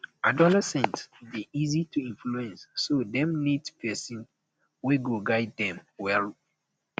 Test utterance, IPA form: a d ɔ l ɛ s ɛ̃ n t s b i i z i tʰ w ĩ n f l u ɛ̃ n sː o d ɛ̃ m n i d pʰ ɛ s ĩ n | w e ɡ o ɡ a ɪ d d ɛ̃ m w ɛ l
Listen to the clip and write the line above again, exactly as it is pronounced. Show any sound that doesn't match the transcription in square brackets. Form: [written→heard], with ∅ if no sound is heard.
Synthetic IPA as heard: a d ɔ l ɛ s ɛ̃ n t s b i i z i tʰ [w→u] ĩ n f l u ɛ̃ n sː o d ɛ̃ m n i d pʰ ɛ s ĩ n | w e ɡ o ɡ a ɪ d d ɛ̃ m w ɛ l